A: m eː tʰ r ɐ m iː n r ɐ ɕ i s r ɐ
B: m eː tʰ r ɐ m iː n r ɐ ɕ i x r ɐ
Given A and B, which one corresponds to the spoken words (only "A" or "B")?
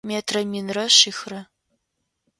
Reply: B